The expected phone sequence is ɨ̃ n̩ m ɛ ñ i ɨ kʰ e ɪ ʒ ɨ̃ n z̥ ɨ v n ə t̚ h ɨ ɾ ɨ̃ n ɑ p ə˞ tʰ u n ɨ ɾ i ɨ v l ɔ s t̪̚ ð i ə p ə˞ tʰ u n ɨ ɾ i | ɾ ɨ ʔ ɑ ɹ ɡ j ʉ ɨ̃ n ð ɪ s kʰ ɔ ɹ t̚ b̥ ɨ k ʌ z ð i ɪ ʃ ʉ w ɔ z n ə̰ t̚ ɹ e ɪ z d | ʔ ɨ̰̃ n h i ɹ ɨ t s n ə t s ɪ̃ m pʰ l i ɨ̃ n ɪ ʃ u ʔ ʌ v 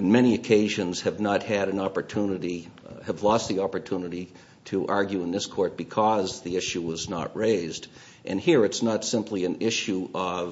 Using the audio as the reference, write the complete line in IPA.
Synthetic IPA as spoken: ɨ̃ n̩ m ɛ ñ i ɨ kʰ e ɪ ʒ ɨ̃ n z̥ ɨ v n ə t̚ h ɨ ɾ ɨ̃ n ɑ p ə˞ tʰ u n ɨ ɾ i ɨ v l ɔ s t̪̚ ð i ɑ p ə˞ tʰ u n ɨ ɾ i | ɾ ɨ ʔ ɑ ɹ ɡ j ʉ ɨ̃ n ð ɪ s kʰ ɔ ɹ t̚ b̥ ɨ kʰ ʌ z ð i ɪ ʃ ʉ w ʌ z n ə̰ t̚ ɹ e ɪ z d | ʔ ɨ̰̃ n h i ɹ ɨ t s n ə t s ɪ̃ m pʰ l i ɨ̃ n ɪ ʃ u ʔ ʌ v